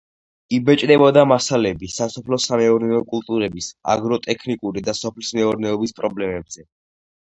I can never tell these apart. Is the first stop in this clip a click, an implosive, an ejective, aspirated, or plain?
plain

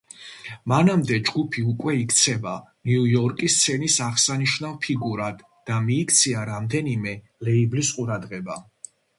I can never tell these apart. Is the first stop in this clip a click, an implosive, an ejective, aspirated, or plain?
plain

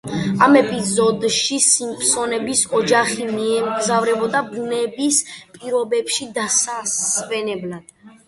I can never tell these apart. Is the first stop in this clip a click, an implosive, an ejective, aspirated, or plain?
ejective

